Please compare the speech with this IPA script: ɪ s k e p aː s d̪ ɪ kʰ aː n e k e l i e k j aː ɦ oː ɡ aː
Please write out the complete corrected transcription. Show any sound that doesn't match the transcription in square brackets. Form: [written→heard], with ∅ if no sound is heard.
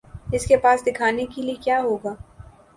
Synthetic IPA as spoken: ɪ s k e p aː s d̪ ɪ kʰ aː n e k e l i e k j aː ɦ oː ɡ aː